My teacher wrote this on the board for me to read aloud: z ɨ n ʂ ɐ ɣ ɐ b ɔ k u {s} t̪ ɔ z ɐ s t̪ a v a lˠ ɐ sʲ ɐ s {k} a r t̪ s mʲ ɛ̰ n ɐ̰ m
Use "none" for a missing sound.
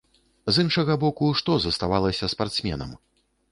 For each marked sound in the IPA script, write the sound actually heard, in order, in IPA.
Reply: ʂ, p

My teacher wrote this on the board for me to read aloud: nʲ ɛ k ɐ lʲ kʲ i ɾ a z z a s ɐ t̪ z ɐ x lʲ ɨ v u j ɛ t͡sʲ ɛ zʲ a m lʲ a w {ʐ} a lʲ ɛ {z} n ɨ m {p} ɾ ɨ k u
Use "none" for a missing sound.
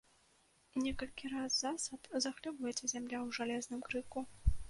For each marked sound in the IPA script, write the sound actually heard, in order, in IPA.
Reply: ʐ, z, k

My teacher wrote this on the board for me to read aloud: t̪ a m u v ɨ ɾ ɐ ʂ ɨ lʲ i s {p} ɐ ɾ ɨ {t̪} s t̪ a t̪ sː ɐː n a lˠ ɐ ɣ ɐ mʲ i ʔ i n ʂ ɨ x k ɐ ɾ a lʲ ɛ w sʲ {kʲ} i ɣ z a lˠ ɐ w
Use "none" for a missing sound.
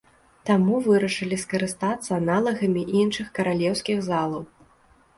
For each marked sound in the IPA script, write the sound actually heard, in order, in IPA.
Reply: k, none, kʲ

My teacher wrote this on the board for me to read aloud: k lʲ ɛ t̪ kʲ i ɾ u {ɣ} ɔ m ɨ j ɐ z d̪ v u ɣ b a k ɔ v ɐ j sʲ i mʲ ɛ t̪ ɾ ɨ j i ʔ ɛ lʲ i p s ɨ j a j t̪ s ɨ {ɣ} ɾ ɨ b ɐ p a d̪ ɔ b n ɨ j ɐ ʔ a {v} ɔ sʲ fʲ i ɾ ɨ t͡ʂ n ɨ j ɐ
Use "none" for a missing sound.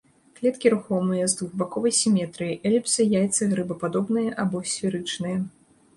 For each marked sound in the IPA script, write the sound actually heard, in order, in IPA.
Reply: x, ɣ, b

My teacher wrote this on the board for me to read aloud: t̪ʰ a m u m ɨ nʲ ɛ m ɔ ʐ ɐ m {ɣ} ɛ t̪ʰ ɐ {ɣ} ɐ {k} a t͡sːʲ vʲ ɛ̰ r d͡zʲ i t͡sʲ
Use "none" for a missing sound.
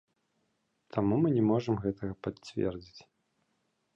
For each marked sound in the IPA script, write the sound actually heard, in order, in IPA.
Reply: ɣ, ɣ, p

